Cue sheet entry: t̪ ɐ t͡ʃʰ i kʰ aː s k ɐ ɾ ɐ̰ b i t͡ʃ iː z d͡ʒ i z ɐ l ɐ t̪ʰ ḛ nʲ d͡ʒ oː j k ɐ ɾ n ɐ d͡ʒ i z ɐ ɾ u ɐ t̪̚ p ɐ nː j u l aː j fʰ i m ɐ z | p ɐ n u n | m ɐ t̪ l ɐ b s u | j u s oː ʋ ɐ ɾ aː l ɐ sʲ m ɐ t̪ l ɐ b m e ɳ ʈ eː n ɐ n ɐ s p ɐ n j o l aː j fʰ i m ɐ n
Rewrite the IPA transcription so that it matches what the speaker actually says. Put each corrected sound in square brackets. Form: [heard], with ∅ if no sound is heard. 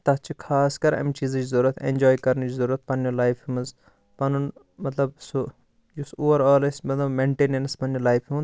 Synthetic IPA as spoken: t̪ ɐ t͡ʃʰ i kʰ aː s k ɐ ɾ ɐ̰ [m] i t͡ʃ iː z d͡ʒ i z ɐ [ɾ] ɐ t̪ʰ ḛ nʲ d͡ʒ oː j k ɐ ɾ n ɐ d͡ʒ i z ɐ ɾ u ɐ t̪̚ p ɐ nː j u l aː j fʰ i m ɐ z | p ɐ n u n | m ɐ t̪ l ɐ b s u | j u s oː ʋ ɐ ɾ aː l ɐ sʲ m ɐ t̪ l ɐ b m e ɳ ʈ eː n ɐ n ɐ s p ɐ n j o l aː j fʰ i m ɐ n